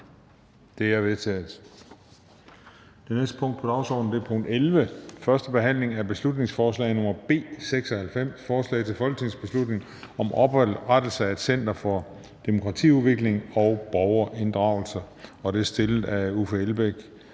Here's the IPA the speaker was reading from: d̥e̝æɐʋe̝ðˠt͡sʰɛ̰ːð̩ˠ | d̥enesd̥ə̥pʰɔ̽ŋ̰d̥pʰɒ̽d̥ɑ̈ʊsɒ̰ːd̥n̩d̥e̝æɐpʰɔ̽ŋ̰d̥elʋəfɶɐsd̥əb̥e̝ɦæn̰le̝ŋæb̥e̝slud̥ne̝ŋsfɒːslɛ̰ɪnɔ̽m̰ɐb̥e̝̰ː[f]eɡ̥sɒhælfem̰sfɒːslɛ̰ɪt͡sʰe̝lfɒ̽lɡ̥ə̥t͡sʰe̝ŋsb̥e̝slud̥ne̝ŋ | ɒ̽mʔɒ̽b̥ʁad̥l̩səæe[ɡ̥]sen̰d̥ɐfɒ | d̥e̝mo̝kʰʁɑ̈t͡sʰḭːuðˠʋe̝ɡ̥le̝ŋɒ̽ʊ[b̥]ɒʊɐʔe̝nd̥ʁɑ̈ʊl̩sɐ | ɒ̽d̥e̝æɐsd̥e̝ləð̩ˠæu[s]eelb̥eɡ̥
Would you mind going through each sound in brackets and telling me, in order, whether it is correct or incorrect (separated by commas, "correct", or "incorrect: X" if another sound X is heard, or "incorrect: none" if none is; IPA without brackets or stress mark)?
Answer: incorrect: s, incorrect: d̥, correct, incorrect: f